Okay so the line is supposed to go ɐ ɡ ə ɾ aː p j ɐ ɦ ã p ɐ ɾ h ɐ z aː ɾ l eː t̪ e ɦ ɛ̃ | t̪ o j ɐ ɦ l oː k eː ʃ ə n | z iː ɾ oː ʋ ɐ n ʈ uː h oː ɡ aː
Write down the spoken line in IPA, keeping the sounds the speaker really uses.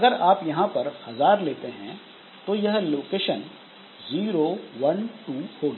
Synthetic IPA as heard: ɐ ɡ ə ɾ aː p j ɐ ɦ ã p ɐ ɾ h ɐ z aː ɾ l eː t̪ e ɦ ɛ̃ | t̪ o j ɐ ɦ l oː k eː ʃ ə n | z iː ɾ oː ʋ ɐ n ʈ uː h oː ɡ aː